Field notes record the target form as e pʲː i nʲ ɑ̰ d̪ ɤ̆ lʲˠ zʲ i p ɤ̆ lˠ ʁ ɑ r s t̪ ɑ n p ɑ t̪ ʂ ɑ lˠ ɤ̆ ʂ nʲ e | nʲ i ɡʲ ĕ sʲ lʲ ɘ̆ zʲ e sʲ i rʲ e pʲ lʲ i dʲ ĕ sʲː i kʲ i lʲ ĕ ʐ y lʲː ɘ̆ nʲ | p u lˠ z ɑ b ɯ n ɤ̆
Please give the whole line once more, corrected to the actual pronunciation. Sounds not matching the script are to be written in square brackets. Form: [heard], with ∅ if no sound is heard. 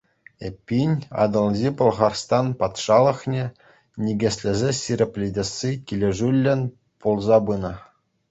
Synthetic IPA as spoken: e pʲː i nʲ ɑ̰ d̪ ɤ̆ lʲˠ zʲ i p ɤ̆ lˠ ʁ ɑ r s t̪ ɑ n p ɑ t̪ ʂ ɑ lˠ ɤ̆ [χ] nʲ e | nʲ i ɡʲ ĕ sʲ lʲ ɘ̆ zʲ e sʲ i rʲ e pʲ lʲ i dʲ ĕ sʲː i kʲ i lʲ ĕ ʐ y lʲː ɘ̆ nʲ | p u lˠ z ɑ b ɯ n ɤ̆